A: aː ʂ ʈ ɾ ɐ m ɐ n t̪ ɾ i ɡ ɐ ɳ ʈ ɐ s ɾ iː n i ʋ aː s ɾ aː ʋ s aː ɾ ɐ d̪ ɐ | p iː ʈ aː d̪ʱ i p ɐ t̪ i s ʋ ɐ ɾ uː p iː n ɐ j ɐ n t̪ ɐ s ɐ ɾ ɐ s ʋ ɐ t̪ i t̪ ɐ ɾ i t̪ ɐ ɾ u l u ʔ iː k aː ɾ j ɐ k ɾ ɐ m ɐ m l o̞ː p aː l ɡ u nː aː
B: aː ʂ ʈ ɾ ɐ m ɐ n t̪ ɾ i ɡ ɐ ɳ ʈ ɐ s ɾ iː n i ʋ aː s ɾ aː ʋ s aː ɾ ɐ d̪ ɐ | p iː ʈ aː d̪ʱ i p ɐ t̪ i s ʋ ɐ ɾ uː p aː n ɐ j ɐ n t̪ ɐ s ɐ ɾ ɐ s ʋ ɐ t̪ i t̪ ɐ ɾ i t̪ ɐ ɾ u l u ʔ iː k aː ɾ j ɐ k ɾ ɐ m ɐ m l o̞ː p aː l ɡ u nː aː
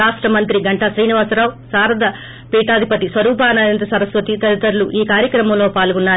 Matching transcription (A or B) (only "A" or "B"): B